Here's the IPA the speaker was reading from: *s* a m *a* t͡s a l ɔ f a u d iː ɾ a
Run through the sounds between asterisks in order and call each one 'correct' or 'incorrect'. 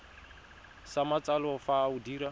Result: correct, correct

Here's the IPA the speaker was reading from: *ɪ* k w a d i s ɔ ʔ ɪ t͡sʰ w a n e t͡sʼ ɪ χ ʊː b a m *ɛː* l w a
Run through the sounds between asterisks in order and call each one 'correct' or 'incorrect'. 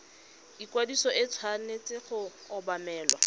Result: incorrect: i, correct

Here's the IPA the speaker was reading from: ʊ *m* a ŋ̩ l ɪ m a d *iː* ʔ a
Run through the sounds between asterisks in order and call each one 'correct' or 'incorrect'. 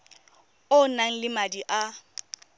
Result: incorrect: n, incorrect: i

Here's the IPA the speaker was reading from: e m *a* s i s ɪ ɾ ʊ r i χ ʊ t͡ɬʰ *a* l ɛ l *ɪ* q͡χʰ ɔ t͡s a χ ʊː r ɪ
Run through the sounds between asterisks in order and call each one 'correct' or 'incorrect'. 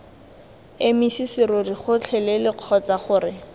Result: incorrect: i, incorrect: ɛ, correct

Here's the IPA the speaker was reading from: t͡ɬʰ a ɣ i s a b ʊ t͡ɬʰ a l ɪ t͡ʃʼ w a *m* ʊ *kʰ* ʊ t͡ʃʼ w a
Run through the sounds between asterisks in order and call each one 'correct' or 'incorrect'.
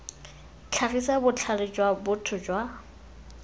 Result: incorrect: b, incorrect: tʰ

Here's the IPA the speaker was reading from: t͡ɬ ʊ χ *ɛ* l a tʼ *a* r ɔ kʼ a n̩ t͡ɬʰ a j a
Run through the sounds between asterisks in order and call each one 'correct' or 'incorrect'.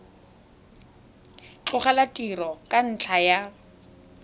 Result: incorrect: a, incorrect: i

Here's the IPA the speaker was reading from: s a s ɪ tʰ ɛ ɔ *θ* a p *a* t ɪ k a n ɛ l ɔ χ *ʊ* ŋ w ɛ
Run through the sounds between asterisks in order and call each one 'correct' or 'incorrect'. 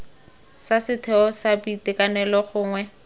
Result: incorrect: s, incorrect: i, incorrect: ʊː

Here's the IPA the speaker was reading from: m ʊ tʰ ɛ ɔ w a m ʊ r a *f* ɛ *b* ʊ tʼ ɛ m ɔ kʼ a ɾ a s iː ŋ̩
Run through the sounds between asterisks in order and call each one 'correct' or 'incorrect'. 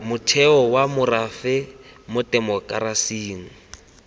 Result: correct, incorrect: m

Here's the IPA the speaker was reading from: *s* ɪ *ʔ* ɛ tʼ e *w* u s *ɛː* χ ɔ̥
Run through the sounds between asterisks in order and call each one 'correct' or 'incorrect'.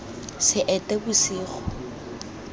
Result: correct, correct, incorrect: b, incorrect: iː

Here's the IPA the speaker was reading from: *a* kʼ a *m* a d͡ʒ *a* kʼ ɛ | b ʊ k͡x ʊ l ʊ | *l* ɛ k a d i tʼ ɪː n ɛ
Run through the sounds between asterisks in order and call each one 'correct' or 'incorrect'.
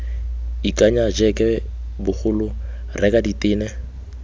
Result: incorrect: i, incorrect: ɲ, incorrect: ɛ, incorrect: r

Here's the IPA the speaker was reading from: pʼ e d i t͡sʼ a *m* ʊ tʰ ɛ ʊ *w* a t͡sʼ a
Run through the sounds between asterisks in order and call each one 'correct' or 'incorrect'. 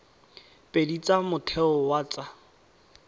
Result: correct, correct

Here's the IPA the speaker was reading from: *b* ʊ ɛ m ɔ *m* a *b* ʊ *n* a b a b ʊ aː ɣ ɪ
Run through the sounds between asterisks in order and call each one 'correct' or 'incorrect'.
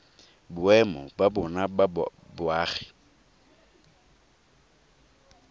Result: correct, incorrect: b, correct, correct

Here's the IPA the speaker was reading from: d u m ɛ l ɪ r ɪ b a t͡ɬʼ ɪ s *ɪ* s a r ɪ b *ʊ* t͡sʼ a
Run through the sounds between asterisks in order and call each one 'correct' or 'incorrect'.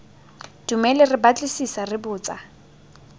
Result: incorrect: i, incorrect: ʊː

